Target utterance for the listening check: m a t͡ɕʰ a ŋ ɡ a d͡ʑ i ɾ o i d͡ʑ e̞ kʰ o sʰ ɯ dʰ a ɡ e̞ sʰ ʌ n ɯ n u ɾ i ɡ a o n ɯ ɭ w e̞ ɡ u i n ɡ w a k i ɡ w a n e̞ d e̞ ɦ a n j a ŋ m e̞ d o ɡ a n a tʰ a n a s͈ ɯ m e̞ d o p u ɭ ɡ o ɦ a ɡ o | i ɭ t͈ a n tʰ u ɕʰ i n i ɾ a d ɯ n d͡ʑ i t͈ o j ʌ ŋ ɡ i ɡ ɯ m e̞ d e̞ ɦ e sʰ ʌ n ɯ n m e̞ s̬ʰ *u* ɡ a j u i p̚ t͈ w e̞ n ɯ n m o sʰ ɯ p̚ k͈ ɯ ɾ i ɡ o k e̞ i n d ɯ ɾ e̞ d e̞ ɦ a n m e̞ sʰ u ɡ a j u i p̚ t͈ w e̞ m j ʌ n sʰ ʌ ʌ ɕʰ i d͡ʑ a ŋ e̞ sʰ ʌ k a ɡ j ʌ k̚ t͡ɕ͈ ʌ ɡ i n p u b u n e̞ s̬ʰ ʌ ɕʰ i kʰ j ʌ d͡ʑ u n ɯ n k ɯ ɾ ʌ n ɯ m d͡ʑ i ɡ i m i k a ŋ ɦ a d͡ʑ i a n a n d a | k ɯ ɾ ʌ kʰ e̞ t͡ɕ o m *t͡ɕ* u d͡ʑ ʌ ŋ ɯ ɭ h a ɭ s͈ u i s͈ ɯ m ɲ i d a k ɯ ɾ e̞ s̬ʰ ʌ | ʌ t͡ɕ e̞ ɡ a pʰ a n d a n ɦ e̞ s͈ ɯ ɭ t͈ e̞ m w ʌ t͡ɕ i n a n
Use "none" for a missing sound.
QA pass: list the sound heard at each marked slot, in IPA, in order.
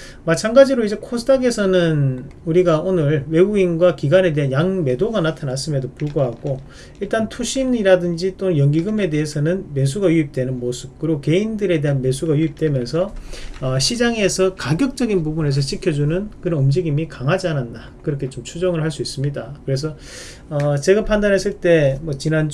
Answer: u, t͡ɕʰ

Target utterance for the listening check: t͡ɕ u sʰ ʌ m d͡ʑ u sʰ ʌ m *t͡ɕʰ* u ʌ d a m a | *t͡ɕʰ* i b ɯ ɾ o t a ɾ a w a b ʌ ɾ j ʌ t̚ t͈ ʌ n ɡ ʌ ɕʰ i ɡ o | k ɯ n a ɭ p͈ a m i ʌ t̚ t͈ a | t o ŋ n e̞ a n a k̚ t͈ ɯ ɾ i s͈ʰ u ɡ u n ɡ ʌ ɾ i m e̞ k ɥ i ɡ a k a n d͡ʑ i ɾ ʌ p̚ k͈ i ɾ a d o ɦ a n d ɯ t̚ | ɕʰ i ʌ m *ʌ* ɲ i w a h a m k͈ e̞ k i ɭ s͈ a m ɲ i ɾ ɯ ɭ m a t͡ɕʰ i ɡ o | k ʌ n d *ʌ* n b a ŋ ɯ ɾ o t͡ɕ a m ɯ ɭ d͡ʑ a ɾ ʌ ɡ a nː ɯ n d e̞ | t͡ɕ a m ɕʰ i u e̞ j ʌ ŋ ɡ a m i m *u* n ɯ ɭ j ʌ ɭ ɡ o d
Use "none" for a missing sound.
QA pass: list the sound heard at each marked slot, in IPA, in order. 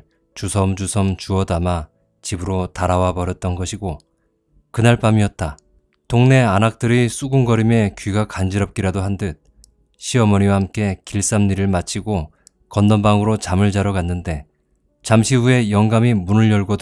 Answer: t͡ɕ, t͡ɕ, ʌ, ʌ, u

